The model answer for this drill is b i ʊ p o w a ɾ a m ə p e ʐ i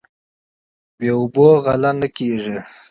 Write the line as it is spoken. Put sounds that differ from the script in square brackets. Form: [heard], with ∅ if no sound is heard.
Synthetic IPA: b [e] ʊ [b] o [ɣ] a [l] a [n] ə [k] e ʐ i